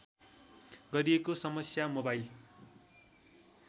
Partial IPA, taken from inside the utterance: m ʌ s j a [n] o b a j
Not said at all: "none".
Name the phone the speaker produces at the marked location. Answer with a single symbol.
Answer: m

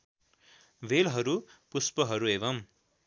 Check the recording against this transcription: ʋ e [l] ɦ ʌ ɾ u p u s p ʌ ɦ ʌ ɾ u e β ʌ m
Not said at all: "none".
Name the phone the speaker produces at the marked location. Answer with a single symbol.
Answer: l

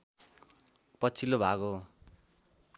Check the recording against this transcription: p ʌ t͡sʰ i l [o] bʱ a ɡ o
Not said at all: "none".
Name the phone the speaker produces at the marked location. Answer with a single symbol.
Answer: o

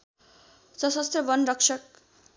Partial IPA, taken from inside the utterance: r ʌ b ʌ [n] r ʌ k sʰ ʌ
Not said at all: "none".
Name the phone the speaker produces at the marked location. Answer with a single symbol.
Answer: n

